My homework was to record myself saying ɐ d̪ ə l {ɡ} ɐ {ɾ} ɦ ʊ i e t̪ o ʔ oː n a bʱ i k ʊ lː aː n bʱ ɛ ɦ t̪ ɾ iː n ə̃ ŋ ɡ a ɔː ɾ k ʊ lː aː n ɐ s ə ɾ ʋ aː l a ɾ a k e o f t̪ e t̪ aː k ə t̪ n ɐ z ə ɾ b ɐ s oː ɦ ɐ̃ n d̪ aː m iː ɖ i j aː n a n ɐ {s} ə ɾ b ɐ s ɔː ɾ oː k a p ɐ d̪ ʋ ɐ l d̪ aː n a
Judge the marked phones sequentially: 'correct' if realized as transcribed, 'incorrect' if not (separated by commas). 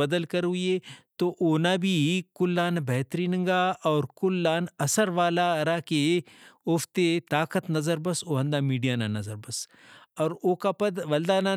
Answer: incorrect, correct, incorrect